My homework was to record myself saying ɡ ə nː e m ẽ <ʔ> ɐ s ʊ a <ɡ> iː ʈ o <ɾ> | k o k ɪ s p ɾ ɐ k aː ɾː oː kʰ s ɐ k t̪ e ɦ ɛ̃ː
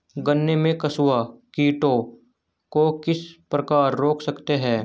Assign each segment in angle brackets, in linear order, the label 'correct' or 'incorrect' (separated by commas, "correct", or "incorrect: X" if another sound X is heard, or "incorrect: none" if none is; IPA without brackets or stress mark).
incorrect: k, incorrect: k, incorrect: none